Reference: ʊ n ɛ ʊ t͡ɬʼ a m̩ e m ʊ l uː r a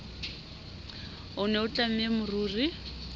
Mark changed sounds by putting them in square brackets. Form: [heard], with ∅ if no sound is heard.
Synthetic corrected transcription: ʊ n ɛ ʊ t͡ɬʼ a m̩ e m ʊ [r] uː r [i]